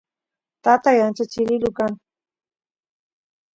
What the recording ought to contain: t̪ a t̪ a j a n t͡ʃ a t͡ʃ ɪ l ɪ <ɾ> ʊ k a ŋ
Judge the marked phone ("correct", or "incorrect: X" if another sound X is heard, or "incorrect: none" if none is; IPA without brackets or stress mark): incorrect: l